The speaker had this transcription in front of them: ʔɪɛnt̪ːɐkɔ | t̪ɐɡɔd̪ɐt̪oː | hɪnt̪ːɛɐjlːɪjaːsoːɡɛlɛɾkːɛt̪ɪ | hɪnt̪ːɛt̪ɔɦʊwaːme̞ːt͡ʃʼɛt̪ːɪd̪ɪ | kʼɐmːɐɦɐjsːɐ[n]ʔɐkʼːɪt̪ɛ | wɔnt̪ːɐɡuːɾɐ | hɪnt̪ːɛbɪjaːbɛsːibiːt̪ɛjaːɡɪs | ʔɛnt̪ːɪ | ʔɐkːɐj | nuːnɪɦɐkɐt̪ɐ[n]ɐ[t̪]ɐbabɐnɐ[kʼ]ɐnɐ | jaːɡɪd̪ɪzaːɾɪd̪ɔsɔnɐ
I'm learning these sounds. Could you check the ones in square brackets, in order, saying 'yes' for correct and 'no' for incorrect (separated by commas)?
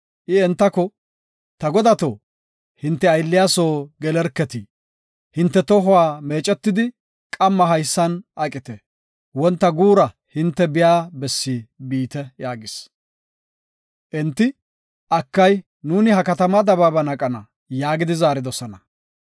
yes, no, no, yes